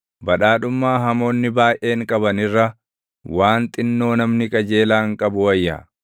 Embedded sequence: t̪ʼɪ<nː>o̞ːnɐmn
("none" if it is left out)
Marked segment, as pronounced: nː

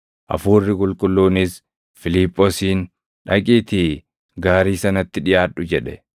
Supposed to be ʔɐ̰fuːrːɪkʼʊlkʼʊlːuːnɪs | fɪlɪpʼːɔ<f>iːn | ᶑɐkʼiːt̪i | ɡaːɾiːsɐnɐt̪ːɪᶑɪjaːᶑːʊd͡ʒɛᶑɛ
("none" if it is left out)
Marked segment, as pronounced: s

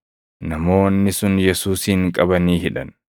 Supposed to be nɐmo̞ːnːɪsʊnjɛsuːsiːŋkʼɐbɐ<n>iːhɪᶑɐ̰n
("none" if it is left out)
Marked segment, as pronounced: n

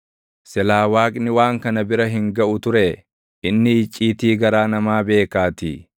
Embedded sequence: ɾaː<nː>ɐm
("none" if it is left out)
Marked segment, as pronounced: n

